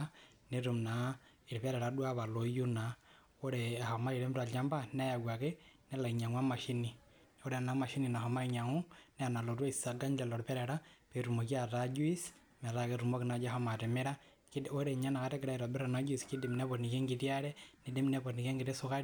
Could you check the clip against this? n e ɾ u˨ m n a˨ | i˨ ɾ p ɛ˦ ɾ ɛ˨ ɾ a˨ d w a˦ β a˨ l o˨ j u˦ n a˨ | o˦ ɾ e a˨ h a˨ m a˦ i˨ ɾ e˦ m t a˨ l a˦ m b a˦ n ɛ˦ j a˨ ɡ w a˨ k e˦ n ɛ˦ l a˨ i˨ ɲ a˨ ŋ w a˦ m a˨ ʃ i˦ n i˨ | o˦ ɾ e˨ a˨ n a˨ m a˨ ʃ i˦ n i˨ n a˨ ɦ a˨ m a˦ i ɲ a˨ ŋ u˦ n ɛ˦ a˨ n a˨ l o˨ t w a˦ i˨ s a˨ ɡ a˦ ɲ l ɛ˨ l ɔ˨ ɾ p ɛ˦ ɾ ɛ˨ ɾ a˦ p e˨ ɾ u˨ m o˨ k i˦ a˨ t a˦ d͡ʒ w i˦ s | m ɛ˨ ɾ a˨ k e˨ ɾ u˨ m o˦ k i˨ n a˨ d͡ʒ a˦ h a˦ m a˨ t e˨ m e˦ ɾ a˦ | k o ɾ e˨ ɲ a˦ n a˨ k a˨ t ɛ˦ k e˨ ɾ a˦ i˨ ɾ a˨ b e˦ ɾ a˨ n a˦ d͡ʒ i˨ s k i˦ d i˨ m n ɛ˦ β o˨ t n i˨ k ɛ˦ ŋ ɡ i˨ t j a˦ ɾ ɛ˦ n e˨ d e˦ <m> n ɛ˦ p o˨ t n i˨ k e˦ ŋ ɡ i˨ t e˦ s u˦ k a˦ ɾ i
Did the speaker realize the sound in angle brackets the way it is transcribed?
yes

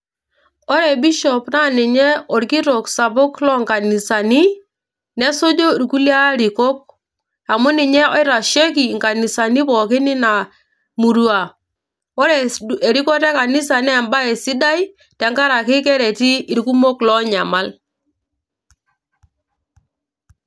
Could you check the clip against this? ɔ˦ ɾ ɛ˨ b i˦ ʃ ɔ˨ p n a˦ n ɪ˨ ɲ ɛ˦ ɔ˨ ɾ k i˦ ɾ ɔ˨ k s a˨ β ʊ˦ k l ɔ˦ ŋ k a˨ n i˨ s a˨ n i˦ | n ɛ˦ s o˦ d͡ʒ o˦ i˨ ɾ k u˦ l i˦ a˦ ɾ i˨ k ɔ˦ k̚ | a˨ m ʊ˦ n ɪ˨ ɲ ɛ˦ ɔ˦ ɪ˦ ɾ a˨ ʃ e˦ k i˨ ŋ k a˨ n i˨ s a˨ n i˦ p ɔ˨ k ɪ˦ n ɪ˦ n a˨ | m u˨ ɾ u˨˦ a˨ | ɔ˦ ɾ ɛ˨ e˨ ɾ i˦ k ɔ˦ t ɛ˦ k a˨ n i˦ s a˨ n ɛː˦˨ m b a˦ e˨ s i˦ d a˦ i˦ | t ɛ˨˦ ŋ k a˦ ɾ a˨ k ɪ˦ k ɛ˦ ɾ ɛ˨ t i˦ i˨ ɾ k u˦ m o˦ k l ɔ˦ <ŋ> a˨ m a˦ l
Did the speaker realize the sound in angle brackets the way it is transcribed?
no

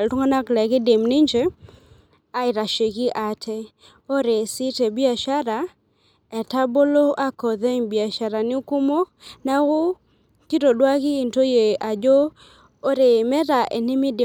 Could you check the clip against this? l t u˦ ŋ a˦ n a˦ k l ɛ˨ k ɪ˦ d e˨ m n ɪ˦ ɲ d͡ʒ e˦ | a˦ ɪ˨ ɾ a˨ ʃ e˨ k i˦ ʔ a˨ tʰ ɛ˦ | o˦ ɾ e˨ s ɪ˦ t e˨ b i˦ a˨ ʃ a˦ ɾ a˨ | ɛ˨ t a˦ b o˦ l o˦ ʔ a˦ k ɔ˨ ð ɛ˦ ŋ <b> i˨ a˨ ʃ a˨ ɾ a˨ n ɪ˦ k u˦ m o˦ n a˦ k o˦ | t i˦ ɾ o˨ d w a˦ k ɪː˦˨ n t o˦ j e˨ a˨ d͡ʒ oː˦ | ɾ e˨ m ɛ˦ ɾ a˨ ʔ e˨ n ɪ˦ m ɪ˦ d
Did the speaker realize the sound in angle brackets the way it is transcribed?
yes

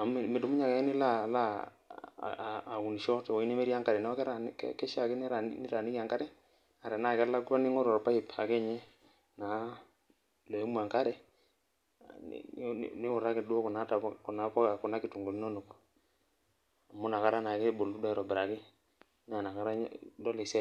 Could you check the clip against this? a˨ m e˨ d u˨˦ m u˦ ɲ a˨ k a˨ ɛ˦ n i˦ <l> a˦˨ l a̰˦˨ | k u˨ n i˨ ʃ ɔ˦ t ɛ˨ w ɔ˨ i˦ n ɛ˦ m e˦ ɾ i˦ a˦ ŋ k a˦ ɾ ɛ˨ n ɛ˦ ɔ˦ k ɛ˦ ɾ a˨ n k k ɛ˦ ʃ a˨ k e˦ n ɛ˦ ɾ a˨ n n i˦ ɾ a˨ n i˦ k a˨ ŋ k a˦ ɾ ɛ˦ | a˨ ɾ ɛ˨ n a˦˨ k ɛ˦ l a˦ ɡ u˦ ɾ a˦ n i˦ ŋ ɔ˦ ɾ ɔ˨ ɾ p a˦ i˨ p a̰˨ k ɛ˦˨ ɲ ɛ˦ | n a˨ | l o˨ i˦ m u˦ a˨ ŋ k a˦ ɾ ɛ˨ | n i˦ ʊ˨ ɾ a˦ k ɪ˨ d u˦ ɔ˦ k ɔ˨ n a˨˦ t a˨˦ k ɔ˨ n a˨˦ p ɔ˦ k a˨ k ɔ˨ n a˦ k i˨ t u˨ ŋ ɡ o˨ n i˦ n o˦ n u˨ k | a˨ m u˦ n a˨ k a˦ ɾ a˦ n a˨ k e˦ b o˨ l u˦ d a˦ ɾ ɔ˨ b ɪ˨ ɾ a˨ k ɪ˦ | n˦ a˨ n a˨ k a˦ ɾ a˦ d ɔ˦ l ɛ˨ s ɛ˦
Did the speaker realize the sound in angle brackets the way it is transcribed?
yes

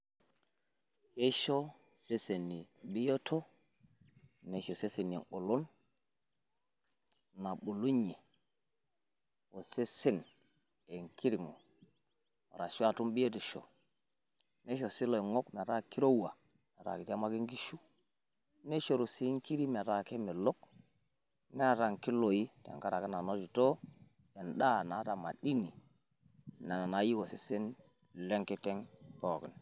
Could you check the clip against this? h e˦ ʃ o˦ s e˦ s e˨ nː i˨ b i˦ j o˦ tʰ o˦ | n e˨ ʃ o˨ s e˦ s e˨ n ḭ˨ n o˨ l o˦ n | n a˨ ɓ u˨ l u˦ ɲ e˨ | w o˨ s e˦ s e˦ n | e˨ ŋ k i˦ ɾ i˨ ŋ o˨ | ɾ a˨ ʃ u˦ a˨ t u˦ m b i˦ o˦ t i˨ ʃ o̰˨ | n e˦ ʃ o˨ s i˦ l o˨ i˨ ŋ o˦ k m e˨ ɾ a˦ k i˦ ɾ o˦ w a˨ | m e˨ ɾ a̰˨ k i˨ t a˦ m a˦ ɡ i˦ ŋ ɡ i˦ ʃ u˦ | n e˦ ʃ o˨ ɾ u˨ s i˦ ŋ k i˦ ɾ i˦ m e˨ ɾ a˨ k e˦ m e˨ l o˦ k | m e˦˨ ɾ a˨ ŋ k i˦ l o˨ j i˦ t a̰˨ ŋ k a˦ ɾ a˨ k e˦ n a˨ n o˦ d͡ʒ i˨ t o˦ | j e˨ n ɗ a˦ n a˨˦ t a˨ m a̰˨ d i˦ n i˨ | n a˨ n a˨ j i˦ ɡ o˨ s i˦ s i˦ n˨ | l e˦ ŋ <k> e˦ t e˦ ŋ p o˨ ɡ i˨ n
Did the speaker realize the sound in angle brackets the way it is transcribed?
yes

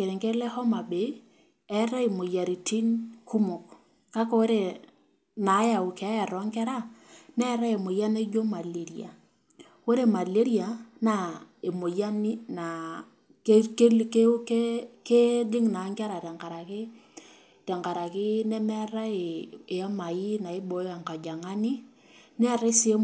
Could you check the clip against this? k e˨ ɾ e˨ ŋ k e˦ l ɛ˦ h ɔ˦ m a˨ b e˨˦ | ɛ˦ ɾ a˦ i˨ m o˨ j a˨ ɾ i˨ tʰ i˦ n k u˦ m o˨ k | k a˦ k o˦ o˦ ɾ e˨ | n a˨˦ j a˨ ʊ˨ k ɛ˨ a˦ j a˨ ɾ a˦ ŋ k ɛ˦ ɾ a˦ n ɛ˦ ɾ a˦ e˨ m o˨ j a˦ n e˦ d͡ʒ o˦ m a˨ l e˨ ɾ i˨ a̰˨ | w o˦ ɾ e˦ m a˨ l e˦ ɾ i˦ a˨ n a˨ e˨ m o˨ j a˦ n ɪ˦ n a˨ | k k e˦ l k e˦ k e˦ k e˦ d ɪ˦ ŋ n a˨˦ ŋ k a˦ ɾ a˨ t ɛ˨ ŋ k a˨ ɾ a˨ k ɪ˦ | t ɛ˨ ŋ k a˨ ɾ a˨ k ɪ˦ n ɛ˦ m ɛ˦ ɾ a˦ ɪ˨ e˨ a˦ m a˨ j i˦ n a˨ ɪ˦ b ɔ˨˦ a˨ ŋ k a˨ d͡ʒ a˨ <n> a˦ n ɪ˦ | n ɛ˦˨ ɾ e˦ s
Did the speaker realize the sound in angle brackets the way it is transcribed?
no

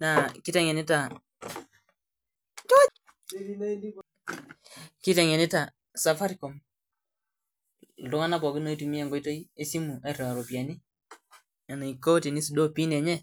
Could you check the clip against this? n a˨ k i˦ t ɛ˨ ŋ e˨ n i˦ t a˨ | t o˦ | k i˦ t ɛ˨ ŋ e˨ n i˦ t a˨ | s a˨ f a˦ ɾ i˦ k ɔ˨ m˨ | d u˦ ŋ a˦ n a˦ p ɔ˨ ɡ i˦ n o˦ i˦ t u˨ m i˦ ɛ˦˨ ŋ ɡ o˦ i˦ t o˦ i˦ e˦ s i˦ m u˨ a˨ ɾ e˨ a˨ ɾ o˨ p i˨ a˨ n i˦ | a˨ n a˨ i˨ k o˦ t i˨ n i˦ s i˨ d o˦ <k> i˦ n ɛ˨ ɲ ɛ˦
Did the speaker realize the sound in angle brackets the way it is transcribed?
no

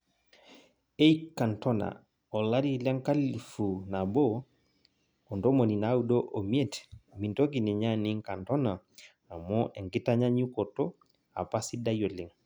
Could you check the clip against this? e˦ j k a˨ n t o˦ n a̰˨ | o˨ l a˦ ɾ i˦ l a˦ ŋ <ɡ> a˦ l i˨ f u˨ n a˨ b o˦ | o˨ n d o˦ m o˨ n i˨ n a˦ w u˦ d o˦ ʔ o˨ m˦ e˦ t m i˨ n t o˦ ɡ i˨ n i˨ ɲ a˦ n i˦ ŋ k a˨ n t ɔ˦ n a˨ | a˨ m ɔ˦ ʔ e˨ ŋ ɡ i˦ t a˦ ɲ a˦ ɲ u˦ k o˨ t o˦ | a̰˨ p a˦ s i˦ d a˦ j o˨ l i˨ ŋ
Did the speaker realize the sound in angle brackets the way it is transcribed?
no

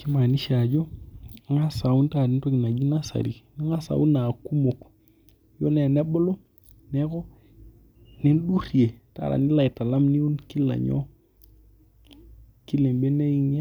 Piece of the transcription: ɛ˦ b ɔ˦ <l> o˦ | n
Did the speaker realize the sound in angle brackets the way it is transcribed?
yes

